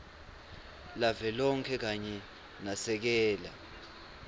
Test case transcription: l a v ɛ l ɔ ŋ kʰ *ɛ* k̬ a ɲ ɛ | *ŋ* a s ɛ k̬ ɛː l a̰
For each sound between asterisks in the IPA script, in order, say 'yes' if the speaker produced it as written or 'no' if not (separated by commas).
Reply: yes, no